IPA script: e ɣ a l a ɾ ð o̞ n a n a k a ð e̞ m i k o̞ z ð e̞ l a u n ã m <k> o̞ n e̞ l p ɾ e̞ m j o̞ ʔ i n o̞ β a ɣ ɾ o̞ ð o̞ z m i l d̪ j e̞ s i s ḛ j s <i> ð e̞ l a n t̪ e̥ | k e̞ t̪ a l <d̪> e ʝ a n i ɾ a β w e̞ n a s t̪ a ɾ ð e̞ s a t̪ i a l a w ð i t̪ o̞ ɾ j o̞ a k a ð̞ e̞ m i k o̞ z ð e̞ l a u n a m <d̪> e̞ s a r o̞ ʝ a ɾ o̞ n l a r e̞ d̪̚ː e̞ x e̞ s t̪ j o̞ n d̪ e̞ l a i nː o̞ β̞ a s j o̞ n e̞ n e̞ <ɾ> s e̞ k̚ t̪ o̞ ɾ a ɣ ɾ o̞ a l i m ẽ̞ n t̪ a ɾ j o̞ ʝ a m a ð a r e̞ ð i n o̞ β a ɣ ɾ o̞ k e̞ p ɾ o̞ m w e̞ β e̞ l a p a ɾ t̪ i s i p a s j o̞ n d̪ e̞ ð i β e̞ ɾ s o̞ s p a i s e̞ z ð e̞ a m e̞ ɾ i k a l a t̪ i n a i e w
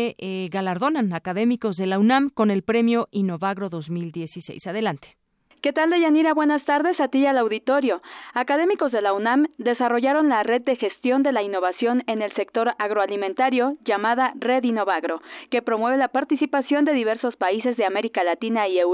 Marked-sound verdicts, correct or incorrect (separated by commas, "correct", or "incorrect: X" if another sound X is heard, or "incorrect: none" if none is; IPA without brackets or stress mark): correct, incorrect: a, correct, correct, incorrect: l